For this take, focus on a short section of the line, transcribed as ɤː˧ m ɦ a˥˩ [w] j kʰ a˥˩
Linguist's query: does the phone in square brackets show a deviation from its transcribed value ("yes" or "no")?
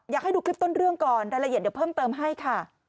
yes